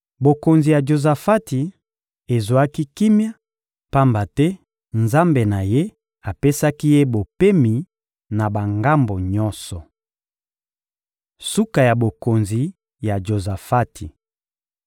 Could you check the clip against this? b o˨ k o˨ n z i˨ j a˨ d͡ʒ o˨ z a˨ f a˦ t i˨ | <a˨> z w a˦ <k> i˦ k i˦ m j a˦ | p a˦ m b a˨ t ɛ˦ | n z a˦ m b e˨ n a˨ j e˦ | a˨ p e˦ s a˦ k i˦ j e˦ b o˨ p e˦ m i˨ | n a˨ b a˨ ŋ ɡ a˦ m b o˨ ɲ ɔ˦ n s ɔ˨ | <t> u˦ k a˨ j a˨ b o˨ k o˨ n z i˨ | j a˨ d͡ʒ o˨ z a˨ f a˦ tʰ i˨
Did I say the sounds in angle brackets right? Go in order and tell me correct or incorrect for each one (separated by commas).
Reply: incorrect, correct, incorrect